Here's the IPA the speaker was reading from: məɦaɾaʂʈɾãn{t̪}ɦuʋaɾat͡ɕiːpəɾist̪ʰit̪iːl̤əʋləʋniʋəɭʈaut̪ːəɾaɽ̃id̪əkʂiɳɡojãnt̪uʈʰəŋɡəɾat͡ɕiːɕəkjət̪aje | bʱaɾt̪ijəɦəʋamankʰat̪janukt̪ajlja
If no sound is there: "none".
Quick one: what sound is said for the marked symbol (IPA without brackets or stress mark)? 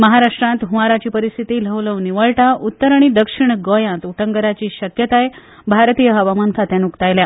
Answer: t̪